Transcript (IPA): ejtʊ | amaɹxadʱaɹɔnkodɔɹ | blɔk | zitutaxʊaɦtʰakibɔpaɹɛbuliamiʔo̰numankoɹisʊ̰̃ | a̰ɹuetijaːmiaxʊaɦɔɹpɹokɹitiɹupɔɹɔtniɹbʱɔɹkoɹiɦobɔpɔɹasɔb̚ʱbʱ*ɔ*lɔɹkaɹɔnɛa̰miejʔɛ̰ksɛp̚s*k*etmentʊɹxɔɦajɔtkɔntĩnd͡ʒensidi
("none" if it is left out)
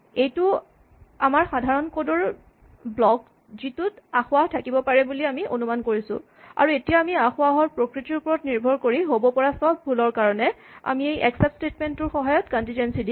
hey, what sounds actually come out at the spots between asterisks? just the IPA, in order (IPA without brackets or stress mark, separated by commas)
u, t